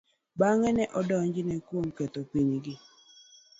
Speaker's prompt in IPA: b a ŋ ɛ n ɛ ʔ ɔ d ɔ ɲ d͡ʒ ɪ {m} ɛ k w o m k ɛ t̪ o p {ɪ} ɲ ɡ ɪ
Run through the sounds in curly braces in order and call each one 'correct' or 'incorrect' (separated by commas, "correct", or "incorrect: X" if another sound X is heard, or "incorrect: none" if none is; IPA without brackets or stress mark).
incorrect: n, incorrect: i